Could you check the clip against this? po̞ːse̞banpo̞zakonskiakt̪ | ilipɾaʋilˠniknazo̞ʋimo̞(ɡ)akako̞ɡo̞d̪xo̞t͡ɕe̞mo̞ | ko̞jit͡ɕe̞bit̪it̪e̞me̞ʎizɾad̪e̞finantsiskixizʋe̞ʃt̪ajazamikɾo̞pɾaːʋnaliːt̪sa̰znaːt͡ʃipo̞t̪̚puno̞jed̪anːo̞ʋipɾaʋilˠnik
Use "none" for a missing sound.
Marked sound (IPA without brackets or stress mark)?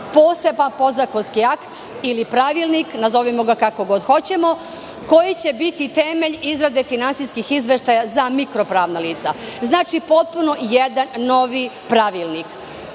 ɡ